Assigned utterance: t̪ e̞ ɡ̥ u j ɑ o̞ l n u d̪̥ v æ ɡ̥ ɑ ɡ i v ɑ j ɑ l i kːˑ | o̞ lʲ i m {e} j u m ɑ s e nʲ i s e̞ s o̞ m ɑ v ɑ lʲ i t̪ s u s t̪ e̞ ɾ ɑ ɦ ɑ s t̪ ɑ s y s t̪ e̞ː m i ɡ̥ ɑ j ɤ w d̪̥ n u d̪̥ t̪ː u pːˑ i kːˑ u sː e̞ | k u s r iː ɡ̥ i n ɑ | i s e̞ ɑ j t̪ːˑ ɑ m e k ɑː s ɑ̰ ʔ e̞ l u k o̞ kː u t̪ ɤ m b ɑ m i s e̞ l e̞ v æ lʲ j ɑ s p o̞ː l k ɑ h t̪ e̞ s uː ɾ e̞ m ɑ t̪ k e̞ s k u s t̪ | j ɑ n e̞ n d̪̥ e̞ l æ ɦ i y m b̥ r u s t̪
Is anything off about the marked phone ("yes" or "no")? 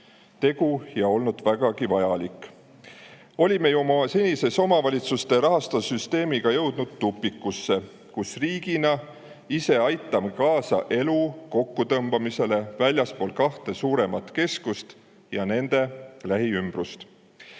no